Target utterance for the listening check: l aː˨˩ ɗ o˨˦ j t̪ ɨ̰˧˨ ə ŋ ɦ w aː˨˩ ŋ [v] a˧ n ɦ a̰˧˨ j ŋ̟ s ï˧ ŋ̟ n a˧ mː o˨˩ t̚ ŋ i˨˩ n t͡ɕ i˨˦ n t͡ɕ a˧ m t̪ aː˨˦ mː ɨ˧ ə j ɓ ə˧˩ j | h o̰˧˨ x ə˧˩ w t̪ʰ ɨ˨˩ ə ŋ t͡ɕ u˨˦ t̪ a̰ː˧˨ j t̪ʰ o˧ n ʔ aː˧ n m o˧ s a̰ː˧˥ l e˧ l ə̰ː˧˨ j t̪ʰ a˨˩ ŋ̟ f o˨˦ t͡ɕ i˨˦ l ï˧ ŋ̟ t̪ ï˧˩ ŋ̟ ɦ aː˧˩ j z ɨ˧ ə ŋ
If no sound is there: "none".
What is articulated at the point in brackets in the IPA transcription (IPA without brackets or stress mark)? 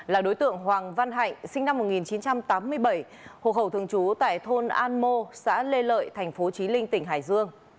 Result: v